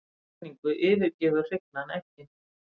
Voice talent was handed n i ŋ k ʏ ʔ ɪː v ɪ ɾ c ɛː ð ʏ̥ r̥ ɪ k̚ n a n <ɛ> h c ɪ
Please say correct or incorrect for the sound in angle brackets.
correct